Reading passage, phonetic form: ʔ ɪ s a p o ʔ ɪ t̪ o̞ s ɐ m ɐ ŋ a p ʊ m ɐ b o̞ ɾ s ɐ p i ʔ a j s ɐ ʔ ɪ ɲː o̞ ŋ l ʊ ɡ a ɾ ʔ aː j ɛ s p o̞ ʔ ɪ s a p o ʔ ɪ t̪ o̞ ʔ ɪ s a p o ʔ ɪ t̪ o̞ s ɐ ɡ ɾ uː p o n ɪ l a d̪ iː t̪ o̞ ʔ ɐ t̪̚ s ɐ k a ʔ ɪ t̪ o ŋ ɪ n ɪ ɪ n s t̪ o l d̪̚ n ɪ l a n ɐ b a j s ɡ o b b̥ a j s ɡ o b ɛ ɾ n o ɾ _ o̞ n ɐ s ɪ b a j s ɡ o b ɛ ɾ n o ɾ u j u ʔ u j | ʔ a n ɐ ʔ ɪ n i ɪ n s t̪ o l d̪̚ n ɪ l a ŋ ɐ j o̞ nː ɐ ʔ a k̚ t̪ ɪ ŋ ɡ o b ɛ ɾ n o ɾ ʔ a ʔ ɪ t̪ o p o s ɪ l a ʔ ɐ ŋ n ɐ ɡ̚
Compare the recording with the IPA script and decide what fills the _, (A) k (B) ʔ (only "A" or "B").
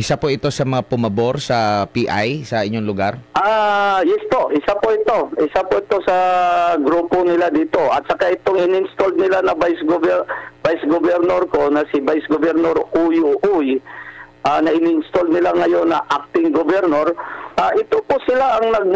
A